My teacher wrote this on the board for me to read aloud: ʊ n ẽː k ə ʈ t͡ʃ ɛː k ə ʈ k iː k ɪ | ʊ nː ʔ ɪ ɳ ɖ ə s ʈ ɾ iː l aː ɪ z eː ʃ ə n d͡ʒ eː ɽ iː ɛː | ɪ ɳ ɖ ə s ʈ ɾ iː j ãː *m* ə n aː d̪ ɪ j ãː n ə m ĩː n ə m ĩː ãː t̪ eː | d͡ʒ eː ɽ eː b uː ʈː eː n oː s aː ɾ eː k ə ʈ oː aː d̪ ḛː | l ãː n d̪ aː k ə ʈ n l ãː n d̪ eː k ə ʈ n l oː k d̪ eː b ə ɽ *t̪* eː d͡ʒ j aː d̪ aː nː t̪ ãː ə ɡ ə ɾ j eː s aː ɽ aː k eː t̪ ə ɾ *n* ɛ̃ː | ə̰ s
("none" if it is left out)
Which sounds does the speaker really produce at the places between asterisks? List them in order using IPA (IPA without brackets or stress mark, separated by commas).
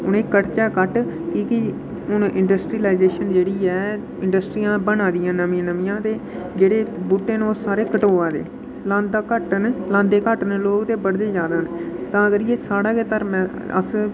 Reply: b, d̪, m